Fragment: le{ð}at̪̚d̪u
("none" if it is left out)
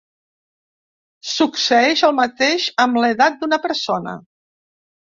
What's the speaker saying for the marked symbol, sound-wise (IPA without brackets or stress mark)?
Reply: ð